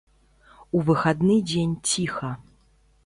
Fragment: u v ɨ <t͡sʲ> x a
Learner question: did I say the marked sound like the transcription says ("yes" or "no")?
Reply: no